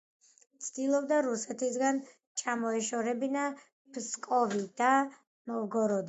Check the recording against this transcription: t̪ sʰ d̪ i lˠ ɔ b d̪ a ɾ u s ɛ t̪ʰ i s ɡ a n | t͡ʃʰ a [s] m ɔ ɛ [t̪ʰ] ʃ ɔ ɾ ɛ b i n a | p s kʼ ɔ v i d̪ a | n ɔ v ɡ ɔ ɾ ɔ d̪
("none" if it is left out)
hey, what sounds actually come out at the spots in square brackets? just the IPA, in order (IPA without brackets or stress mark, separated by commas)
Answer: none, none